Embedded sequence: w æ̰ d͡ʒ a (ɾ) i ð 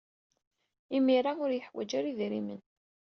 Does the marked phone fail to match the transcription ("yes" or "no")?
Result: no